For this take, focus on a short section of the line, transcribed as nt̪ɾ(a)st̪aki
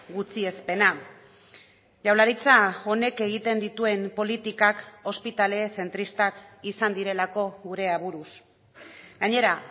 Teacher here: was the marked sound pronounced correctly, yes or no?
no